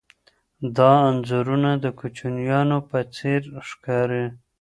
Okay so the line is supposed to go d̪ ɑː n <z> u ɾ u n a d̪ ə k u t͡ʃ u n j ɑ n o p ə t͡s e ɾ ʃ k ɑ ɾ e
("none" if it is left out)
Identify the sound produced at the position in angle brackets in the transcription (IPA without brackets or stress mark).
z